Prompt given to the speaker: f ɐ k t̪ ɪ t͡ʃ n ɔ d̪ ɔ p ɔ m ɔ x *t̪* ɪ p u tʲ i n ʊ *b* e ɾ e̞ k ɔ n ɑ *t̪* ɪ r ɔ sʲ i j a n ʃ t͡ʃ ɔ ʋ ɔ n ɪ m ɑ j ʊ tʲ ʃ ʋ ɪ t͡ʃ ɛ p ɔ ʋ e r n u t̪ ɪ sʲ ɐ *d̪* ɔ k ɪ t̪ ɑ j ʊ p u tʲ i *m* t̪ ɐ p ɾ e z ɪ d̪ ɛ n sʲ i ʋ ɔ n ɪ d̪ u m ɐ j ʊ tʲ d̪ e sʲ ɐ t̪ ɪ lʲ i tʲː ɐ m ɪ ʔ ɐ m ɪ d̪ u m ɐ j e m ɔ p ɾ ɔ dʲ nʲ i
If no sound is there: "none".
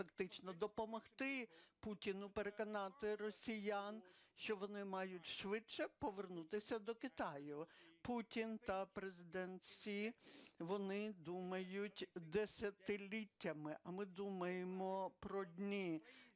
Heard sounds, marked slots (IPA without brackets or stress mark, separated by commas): t̪, p, t̪, d̪, n